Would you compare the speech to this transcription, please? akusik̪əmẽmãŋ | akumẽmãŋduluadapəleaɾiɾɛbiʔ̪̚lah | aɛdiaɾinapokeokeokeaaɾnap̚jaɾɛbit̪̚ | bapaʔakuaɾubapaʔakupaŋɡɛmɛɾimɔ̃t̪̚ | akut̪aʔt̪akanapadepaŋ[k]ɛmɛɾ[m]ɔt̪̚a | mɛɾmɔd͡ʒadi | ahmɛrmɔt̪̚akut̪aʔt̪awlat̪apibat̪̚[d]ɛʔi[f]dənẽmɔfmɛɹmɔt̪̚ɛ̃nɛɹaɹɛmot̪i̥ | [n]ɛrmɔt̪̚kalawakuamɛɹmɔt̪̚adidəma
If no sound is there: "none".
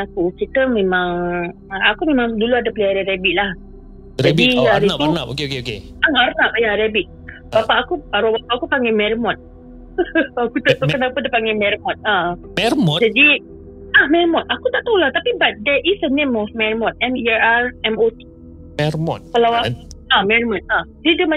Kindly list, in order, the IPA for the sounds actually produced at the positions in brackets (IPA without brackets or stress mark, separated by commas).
ɡ, m, d, s, m